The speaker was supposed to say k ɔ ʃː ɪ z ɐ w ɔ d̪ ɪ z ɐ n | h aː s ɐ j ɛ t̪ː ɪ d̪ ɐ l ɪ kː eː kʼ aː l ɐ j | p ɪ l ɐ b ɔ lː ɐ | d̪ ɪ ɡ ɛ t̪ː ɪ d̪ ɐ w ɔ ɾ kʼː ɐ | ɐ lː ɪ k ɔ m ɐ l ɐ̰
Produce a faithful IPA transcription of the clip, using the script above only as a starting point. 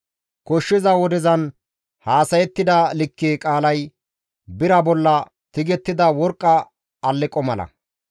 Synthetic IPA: k ɔ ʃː ɪ z ɐ w ɔ d̪ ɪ z ɐ n | h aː s ɐ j ɛ t̪ː ɪ d̪ ɐ l ɪ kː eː kʼ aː l ɐ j | b ɪ ɾ ɐ b ɔ lː ɐ | t̪ ɪ ɡ ɛ t̪ː ɪ d̪ ɐ w ɔ ɾ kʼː ɐ | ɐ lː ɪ kʼ ɔ m ɐ l ɐ̰